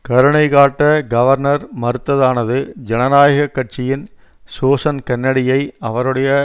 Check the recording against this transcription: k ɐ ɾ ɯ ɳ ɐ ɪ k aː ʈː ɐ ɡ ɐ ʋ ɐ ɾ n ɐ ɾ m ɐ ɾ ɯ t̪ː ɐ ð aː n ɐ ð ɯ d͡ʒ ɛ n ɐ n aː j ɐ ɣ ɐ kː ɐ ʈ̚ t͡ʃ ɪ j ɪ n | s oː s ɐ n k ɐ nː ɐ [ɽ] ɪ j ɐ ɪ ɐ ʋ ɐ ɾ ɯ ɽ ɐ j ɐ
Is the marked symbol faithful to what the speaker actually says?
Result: yes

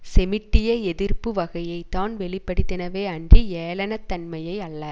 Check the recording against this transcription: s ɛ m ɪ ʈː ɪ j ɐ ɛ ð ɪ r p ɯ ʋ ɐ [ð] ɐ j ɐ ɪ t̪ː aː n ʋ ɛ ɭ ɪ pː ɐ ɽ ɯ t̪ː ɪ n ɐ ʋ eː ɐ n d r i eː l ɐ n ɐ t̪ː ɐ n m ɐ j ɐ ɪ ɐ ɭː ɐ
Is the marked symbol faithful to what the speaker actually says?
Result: no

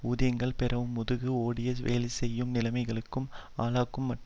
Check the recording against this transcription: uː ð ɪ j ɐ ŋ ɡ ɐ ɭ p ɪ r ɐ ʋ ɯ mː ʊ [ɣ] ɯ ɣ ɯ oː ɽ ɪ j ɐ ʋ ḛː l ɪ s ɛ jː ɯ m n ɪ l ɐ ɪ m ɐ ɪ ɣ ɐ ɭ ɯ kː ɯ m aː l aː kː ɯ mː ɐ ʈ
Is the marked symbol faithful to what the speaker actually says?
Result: no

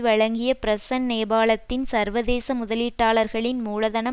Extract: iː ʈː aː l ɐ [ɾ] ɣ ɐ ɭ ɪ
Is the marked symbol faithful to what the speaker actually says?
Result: yes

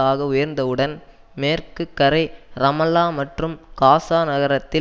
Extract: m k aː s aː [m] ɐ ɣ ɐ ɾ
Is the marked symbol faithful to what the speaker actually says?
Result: no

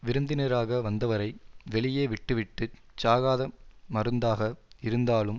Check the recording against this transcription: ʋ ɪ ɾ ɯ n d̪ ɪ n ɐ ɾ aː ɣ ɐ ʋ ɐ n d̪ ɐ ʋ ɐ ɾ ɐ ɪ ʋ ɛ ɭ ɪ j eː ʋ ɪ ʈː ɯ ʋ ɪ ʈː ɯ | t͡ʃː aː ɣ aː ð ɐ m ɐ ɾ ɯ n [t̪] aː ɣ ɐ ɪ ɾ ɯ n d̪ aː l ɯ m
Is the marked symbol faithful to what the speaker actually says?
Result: no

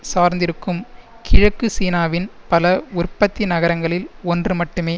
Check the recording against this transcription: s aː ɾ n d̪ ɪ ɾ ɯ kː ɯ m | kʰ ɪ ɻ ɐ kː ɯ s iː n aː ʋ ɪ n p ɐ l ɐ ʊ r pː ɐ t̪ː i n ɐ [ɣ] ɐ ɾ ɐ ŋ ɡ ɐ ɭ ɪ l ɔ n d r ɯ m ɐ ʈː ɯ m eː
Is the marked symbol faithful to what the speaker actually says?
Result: yes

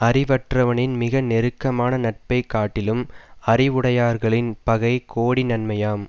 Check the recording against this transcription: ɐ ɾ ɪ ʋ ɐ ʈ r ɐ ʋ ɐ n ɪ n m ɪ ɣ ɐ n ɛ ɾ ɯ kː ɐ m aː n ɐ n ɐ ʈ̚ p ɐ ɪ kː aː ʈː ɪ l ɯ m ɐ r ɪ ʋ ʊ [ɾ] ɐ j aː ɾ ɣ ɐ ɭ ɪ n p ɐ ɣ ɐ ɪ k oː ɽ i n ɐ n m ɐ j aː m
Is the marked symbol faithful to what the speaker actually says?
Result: no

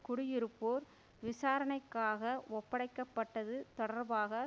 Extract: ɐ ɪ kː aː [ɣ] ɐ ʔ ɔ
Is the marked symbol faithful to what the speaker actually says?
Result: yes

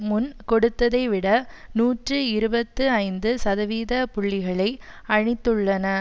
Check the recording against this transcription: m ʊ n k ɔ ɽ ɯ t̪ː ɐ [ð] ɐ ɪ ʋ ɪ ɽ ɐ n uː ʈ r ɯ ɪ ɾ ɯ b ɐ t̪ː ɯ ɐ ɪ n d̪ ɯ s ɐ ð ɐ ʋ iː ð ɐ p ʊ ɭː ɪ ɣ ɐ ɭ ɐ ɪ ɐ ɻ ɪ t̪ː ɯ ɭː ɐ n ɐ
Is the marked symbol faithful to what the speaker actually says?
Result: yes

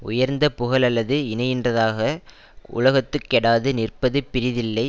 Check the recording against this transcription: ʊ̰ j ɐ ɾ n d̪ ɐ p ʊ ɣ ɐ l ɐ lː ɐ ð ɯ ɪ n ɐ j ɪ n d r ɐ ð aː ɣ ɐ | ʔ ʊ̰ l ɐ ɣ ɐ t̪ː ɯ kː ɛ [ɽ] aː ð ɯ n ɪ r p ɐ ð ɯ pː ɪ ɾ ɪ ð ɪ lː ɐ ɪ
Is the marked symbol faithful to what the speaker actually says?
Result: yes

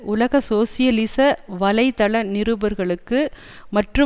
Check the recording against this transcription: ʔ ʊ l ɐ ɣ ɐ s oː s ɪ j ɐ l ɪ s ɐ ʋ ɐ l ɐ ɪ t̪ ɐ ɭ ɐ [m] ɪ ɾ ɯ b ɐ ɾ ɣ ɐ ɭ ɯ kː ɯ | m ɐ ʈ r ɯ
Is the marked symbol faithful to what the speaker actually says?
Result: no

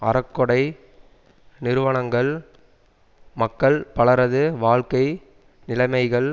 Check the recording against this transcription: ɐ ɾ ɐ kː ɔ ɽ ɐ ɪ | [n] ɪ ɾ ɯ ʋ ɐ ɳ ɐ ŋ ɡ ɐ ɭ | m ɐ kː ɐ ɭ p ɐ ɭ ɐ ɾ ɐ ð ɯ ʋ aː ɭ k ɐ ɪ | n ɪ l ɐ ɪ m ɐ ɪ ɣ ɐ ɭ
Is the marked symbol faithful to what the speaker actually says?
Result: yes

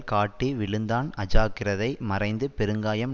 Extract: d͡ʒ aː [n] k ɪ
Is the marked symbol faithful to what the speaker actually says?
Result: no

